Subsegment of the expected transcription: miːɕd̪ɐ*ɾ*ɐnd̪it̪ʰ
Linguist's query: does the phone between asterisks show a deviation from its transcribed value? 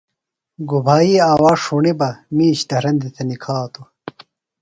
no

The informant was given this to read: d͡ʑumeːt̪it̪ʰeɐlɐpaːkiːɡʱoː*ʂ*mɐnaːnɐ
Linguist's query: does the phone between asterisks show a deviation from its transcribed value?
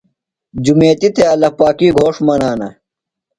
no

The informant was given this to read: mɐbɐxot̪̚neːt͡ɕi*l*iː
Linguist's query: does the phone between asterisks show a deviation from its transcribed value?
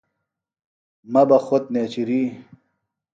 yes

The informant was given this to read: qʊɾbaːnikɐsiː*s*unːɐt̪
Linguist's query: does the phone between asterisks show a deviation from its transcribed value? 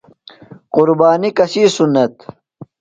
no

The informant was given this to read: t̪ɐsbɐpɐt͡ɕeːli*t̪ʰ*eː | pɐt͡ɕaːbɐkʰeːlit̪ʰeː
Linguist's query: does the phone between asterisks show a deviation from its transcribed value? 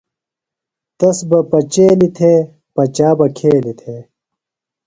no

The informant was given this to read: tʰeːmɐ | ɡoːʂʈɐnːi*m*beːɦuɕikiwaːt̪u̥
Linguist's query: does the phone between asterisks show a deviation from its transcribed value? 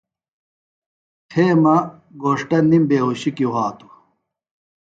no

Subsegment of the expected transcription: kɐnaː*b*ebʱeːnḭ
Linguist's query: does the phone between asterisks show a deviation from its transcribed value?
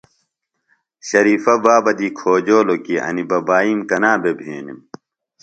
no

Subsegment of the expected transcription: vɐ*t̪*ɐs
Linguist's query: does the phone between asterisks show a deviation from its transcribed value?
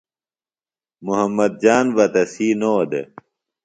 no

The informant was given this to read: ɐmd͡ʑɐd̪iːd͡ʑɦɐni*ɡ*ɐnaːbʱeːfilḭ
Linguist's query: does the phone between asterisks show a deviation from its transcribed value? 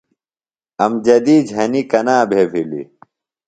yes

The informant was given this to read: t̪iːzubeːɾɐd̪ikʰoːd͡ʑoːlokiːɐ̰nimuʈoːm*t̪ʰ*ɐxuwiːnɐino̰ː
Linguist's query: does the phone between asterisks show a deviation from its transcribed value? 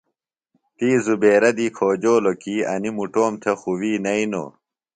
no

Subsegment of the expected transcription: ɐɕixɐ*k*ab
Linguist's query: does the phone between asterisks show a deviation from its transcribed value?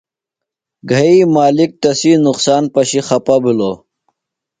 yes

